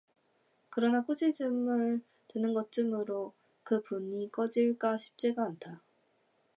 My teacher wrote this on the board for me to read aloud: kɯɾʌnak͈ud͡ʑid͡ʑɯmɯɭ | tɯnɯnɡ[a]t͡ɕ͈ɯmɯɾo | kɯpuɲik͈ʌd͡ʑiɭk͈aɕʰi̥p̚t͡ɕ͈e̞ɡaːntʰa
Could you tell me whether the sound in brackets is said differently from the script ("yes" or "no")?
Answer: yes